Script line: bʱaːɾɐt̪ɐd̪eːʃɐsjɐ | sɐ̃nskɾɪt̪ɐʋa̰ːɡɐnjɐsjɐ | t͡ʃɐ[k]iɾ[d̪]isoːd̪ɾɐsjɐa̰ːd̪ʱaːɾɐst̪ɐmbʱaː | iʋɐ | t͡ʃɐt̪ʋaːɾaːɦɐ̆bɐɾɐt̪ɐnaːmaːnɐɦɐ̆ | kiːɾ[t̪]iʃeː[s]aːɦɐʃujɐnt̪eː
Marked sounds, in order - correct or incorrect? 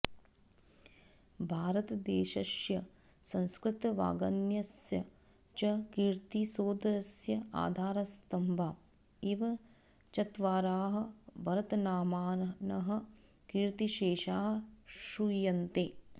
correct, incorrect, correct, incorrect

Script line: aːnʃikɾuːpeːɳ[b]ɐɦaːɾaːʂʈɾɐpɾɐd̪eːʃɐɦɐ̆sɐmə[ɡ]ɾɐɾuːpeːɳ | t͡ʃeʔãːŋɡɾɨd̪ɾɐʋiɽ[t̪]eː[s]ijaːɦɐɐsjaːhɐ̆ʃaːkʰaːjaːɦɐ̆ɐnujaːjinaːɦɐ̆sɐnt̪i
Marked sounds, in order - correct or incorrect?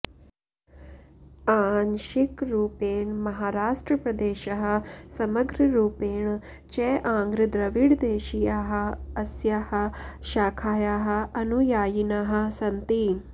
incorrect, correct, incorrect, incorrect

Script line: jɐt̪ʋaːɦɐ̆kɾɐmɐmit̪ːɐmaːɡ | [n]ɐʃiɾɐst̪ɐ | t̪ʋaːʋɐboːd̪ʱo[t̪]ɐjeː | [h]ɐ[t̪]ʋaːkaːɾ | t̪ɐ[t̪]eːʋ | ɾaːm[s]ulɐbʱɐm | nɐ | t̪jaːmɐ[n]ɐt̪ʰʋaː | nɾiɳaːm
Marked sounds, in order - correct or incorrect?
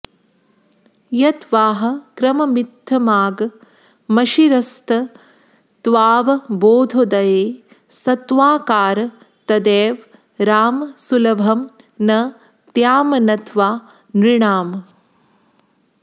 incorrect, incorrect, incorrect, correct, incorrect, correct, correct

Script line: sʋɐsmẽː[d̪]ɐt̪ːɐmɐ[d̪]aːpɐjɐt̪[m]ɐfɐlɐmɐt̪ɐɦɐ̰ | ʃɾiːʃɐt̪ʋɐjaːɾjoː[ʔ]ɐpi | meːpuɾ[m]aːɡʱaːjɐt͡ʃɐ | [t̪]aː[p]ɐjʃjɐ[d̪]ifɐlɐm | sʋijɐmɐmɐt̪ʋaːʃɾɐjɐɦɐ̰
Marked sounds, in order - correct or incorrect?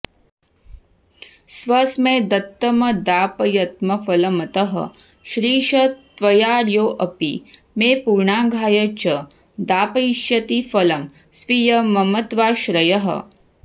correct, correct, correct, correct, incorrect, incorrect, correct, incorrect

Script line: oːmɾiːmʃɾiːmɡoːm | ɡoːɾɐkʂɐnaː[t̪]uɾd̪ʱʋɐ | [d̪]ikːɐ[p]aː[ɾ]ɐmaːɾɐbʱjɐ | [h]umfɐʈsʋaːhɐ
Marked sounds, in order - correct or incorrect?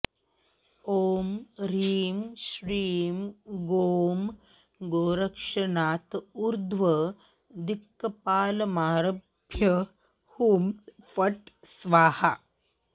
correct, correct, correct, incorrect, correct

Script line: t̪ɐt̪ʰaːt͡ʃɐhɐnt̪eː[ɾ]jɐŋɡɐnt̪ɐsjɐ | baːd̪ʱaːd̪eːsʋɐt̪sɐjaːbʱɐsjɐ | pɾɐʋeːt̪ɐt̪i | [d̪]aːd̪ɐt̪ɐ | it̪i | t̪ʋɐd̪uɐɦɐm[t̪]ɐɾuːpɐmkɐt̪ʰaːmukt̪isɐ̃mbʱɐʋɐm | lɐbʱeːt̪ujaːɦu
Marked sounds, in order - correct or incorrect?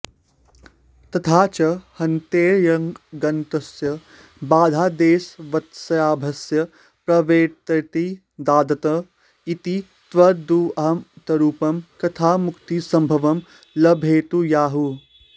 correct, correct, correct

